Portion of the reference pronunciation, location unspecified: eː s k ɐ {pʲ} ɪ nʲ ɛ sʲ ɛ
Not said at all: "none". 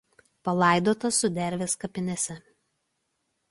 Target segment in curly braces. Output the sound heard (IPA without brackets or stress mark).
pʲ